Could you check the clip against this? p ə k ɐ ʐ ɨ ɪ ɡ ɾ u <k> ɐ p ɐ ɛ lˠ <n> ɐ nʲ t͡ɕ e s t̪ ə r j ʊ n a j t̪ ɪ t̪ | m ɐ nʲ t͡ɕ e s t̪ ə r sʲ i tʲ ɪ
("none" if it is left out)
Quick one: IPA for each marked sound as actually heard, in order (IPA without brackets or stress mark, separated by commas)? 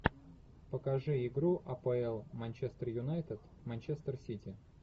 ʔ, m